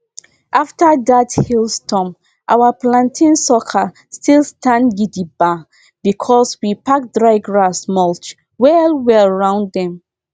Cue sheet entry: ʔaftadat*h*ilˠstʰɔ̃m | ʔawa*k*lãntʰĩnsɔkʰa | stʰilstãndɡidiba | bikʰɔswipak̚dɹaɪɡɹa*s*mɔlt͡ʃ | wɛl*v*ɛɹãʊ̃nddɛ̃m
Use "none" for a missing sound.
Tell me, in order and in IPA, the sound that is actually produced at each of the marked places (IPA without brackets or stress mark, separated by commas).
h, p, s, w